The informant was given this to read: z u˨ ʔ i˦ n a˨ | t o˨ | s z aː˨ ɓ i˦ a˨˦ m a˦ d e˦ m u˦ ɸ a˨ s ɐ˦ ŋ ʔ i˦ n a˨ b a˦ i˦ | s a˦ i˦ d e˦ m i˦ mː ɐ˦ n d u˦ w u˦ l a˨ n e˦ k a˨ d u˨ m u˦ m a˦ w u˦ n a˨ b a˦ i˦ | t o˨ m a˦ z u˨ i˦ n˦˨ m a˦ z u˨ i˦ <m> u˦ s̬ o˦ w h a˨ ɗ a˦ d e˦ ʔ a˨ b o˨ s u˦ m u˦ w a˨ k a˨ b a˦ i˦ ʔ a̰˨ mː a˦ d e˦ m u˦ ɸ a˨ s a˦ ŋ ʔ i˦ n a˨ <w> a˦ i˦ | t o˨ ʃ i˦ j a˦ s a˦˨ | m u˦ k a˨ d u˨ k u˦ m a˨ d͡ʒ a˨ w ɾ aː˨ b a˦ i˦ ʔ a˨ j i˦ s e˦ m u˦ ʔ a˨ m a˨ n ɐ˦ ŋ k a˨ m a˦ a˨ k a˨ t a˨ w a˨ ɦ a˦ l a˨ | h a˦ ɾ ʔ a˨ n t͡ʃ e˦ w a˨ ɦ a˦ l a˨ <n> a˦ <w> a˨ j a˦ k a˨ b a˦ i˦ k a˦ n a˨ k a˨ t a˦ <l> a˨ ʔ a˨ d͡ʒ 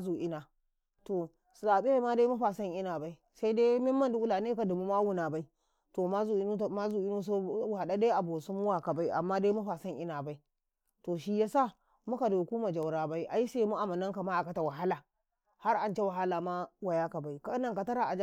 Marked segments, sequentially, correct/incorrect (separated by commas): incorrect, incorrect, incorrect, correct, incorrect